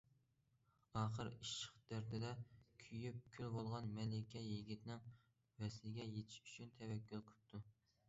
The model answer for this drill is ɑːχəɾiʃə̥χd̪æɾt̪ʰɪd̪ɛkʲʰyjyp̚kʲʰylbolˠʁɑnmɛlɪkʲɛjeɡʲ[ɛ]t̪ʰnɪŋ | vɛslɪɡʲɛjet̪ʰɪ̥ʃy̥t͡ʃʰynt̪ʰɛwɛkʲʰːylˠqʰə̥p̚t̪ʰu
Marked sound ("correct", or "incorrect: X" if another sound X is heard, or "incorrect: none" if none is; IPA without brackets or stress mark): incorrect: i